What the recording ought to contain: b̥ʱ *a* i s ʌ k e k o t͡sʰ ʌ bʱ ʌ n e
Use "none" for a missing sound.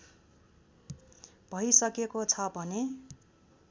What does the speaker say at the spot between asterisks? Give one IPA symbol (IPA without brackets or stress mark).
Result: ʌ